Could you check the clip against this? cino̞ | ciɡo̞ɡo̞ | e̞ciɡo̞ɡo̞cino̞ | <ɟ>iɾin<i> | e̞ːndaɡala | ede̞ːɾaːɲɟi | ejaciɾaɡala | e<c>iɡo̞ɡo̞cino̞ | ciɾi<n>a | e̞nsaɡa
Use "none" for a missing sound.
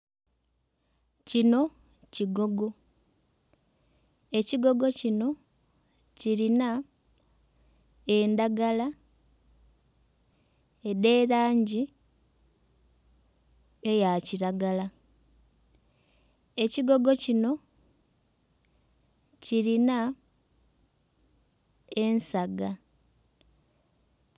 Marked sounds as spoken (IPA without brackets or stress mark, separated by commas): c, a, c, n